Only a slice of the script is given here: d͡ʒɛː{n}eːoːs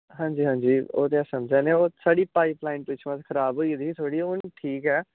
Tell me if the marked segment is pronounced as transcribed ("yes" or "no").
yes